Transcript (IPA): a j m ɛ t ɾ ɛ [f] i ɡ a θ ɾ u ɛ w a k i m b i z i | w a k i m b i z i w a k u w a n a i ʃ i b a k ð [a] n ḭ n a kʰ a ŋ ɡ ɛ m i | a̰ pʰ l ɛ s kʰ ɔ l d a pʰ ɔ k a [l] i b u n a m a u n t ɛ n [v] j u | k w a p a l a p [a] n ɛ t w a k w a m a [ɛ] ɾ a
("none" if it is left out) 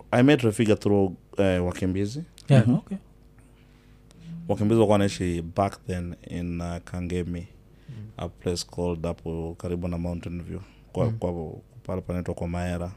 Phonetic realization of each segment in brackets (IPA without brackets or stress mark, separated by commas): f, ɛ, ɾ, v, a, ɛ